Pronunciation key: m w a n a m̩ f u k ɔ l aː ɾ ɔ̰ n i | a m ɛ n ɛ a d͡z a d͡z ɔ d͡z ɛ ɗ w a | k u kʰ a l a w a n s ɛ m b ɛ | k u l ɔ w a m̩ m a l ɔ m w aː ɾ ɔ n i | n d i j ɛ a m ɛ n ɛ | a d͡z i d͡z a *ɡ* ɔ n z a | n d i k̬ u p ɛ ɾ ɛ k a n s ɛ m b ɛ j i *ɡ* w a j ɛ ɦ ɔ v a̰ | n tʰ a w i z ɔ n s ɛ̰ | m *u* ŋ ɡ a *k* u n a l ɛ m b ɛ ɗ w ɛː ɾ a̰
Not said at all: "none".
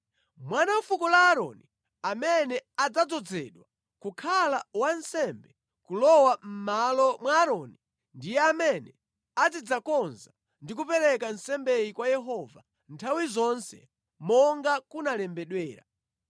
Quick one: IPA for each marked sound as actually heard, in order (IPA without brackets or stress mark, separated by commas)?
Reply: k, k, ɔ, k